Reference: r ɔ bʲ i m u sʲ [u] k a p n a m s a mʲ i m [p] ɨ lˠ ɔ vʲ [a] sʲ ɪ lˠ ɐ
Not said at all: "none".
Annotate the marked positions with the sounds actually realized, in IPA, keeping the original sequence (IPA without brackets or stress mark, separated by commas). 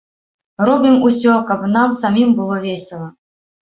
ɔ, b, e